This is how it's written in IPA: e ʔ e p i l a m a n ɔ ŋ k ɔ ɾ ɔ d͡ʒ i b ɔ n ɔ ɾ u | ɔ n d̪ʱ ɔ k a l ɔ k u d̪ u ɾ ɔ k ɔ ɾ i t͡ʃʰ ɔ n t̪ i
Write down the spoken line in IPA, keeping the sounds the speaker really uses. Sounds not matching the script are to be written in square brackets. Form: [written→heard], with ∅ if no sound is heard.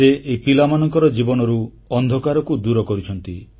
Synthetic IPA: e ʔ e p i l a m a n ɔ ŋ k ɔ ɾ ɔ d͡ʒ i b ɔ n ɔ ɾ u | ɔ n d̪ʱ ɔ k a [l→ɾ] ɔ k u d̪ u ɾ ɔ k ɔ ɾ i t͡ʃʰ ɔ n t̪ i